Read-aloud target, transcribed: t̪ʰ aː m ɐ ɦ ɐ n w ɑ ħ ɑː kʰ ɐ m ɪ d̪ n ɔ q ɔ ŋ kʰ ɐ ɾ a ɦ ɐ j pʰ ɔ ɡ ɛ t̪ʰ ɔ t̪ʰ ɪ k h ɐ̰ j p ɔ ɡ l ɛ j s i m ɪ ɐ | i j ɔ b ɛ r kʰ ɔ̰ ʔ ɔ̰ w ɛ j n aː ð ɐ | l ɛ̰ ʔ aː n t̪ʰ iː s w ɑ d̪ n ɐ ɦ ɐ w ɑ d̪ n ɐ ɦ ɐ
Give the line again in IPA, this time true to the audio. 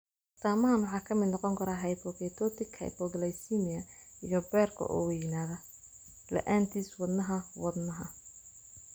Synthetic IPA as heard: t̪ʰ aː m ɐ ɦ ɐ n w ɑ ħ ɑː kʰ ɐ m ɪ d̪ n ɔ q ɔ ŋ kʰ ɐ ɾ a ɦ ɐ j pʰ ɔ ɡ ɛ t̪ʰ ɔ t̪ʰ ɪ k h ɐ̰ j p ɔ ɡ l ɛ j s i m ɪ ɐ | i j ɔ b ɛ r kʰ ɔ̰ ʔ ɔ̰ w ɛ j n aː ð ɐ | l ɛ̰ ʔ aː n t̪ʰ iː s w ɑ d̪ n ɐ ɦ ɐ w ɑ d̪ n ɐ ɦ ɐ

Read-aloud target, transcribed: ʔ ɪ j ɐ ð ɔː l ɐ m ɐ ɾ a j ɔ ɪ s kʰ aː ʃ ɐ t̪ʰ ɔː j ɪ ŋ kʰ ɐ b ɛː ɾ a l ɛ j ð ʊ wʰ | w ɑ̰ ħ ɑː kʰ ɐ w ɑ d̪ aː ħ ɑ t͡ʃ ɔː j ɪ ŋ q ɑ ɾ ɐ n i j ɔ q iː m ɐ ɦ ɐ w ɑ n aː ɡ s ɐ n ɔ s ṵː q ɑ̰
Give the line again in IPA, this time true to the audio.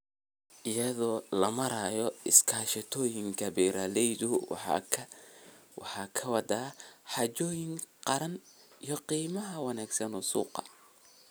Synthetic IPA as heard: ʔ ɪ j ɐ ð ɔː l ɐ m ɐ ɾ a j ɔ ɪ s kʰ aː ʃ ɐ t̪ʰ ɔː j ɪ ŋ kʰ ɐ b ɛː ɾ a l ɛ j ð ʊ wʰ | w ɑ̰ ħ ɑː kʰ ɐ w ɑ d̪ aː ħ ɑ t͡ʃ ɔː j ɪ ŋ q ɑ ɾ ɐ n i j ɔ q iː m ɐ ɦ ɐ w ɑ n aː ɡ s ɐ n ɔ s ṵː q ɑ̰

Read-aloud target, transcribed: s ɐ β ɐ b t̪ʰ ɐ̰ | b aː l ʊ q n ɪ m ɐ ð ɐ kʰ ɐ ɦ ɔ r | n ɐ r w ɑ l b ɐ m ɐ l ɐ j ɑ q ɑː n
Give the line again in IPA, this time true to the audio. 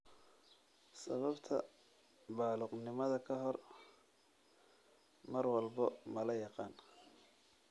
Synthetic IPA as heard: s ɐ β ɐ b t̪ʰ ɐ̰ | b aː l ʊ q n ɪ m ɐ ð ɐ kʰ ɐ ɦ ɔ r | m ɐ r w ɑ l b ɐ m ɐ l ɐ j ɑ q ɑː n

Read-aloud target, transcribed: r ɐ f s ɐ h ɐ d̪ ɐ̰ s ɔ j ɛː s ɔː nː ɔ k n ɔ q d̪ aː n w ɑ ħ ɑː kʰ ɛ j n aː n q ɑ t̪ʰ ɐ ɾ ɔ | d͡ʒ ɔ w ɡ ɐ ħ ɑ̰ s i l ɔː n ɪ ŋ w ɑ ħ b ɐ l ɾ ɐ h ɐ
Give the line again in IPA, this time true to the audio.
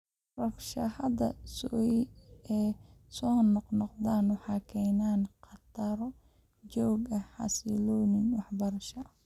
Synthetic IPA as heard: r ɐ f ʃ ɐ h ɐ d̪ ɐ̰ s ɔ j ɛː s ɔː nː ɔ q n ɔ q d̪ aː n w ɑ ħ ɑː kʰ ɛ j n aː n q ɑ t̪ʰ ɐ ɾ ɔ | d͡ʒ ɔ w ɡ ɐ ħ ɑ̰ s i l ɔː n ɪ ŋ w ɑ ħ b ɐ ɾ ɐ ʃ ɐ

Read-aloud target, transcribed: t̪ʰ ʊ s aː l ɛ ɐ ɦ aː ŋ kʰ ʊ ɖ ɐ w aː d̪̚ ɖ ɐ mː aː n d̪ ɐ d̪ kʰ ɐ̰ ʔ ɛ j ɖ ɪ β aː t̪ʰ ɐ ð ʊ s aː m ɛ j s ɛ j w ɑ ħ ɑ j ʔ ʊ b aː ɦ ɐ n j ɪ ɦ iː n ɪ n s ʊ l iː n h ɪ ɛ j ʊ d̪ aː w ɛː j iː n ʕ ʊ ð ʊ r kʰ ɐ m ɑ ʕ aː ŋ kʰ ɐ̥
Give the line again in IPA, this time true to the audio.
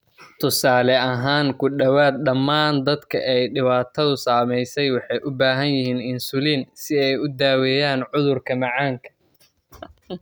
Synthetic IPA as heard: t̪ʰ ʊ s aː l ɛ ɐ ɦ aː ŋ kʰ ʊ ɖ ɐ w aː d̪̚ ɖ ɐ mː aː n d̪ ɐ d̪ kʰ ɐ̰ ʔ ɛ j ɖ ɪ β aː t̪ʰ ɐ ð ʊ s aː m ɛ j s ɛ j w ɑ ħ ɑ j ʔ ʊ b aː ɦ ɐ n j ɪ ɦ iː n ɪ n s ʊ l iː n s ɪ ɛ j ʊ d̪ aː w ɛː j aː n ʕ ʊ ð ʊ r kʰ ɐ m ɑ ʕ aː ŋ kʰ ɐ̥

